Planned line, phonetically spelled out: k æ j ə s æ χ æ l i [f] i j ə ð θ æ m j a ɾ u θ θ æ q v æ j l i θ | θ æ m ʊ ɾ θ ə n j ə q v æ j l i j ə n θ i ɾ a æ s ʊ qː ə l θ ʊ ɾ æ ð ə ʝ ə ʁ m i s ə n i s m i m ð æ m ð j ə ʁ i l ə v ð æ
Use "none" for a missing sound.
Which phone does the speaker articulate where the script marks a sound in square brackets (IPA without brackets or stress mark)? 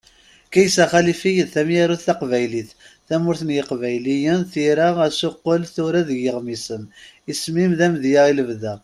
f